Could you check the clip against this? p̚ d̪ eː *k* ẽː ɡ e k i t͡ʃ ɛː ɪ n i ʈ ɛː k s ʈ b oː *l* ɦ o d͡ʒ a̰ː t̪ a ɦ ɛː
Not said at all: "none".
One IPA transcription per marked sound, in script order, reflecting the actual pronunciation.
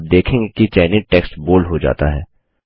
kʰ, l

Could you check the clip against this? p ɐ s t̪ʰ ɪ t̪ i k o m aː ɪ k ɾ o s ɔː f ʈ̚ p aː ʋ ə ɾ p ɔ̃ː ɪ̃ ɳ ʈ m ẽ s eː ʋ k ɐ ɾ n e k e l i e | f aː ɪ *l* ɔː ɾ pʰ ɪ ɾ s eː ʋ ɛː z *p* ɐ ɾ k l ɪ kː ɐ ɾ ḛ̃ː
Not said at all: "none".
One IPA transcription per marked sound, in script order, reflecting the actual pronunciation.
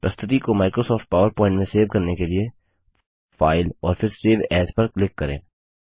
l, p

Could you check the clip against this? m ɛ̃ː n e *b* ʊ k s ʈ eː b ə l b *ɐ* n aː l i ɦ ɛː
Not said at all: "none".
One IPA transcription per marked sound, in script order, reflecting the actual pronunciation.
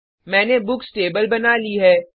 b, ɐ

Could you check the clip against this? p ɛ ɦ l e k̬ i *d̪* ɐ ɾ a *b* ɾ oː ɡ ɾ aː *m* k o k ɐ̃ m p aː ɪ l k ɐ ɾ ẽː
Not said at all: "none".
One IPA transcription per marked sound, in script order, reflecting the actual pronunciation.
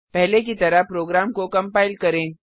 t̪, p, m

